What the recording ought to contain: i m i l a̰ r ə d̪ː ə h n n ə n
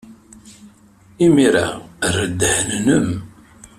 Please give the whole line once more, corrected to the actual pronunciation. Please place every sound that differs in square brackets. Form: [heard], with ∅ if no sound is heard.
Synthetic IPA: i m i [ɾ] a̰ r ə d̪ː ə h n n ə [m]